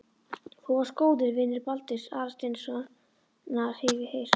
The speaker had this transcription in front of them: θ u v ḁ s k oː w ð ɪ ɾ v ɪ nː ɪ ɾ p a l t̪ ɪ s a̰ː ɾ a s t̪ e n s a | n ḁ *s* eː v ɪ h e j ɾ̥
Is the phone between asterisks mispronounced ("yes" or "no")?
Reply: yes